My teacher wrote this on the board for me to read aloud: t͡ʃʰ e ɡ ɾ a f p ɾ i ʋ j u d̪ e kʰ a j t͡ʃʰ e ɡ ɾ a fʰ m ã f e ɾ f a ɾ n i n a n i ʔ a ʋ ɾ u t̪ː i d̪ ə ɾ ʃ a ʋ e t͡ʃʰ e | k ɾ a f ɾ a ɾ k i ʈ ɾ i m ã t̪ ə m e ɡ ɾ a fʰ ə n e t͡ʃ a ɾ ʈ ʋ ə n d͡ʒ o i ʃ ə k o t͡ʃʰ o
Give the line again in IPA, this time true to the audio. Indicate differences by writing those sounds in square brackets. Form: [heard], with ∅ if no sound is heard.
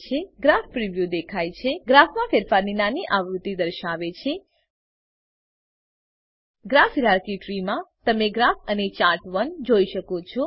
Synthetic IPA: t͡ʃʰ e ɡ ɾ a f p ɾ i ʋ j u d̪ e kʰ a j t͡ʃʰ e ɡ ɾ a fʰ m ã f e ɾ f a ɾ n i n a n i ʔ a ʋ ɾ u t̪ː i d̪ ə ɾ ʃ a ʋ e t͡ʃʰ e | [ɡ] ɾ a f ɾ a ɾ k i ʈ ɾ i m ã t̪ ə m e ɡ ɾ a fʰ ə n e t͡ʃ a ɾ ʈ ʋ ə n d͡ʒ o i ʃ ə k o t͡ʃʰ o

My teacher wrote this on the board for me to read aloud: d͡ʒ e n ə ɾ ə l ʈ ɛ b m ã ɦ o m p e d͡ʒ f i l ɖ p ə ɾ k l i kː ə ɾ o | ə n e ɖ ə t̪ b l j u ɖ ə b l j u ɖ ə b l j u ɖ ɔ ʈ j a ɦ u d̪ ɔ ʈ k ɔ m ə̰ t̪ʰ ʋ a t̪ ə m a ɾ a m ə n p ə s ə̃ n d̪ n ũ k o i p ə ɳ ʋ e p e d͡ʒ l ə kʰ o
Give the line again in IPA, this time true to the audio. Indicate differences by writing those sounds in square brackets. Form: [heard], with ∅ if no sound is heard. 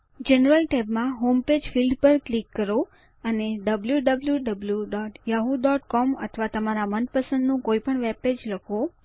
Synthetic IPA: d͡ʒ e n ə ɾ ə l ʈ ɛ b m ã ɦ o m p e d͡ʒ f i l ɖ p ə ɾ k l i kː ə ɾ o | ə n e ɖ ə [∅] b l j u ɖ ə b l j u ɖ ə b l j u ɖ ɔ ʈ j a ɦ u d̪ ɔ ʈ k ɔ m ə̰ t̪ʰ ʋ a t̪ ə m a ɾ a m ə n p ə s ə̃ n d̪ n ũ k o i p ə ɳ ʋ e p e d͡ʒ l ə kʰ o

